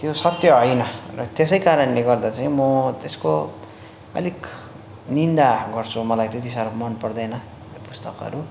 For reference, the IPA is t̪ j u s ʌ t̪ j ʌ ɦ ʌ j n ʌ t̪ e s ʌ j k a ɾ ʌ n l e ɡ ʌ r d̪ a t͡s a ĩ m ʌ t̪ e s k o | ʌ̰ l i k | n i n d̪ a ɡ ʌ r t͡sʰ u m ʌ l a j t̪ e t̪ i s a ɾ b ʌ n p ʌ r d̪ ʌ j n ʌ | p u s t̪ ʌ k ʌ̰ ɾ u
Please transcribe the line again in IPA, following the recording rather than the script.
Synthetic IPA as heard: t̪ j o s ʌ t̪ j ʌ ɦ ʌ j n ʌ t̪ e s ʌ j k a ɾ ʌ n l e ɡ ʌ r d̪ a t͡s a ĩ m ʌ t̪ e s k o | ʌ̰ l i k | n i n d̪ a ɡ ʌ r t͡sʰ u m ʌ l a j t̪ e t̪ i s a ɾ m ʌ n p ʌ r d̪ ʌ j n ʌ | p u s t̪ ʌ k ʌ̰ ɾ u